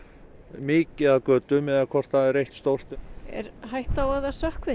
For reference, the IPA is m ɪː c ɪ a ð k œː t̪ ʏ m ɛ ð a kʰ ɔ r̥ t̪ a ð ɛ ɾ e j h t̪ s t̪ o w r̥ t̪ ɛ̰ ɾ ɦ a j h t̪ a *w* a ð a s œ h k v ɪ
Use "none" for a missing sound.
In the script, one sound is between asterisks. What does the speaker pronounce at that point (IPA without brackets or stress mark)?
w